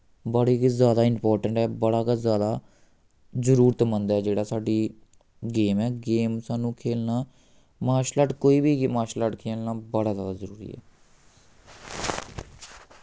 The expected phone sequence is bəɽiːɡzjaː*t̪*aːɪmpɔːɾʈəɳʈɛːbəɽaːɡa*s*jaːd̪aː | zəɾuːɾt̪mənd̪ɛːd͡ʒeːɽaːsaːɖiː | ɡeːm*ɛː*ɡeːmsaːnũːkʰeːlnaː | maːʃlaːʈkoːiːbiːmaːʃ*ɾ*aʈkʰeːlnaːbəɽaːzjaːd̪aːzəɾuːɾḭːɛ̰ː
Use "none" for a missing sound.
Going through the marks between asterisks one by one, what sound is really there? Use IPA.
d̪, z, ɛː, l

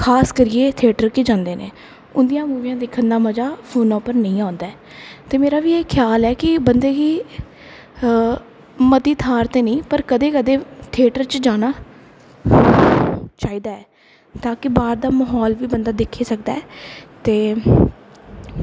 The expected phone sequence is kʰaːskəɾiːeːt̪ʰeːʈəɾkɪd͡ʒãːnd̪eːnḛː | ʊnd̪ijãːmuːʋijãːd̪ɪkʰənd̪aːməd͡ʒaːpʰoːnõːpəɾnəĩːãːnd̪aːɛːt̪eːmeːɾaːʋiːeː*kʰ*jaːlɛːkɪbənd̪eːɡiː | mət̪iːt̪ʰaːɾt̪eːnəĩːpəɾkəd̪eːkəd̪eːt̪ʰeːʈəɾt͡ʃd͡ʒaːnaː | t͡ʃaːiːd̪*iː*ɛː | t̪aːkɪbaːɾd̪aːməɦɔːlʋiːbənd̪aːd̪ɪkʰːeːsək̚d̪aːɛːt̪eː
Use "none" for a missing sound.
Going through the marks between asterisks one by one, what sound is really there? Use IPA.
kʰ, aː

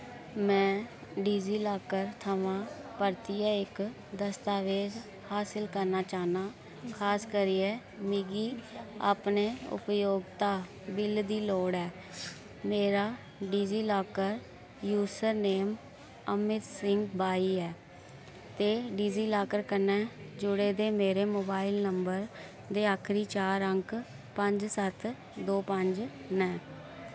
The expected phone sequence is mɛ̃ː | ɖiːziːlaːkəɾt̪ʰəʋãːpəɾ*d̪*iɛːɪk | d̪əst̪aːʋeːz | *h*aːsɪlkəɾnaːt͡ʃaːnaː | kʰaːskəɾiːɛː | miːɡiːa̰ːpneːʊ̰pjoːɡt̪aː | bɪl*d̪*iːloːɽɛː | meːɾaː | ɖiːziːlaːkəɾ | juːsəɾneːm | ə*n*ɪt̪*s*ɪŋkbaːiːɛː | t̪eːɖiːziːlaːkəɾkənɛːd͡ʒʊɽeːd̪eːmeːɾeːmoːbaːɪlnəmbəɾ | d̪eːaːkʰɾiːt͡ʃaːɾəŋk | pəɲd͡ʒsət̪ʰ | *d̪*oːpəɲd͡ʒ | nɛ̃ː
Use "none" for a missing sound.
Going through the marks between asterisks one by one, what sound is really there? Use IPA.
t̪, h, d̪, m, s, d̪

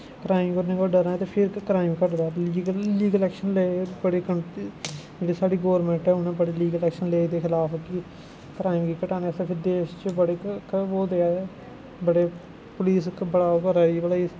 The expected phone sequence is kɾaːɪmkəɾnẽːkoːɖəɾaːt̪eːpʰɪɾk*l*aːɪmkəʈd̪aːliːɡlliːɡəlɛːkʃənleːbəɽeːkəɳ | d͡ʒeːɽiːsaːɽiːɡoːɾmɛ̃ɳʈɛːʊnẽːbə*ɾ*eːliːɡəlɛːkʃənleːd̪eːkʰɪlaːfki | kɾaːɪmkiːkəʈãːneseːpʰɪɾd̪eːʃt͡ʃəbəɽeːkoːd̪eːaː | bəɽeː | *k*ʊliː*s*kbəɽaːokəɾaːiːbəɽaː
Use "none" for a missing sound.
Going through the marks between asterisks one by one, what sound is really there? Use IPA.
ɾ, ɽ, p, s

